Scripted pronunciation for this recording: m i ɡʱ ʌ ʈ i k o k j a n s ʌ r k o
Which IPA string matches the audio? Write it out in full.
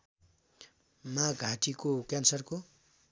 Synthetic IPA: m a ɡʱ a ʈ i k o k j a n s ʌ r k o